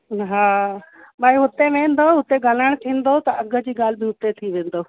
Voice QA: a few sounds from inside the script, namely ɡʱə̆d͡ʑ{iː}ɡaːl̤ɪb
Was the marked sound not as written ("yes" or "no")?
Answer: no